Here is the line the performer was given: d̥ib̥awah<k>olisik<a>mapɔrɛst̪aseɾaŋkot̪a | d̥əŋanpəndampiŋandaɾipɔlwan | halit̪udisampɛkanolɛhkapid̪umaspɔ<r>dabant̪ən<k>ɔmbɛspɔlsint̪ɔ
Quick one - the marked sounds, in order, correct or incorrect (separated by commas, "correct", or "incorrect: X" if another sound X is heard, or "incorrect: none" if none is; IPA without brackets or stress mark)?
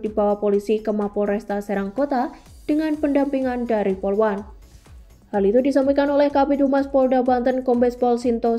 incorrect: p, incorrect: ə, incorrect: l, correct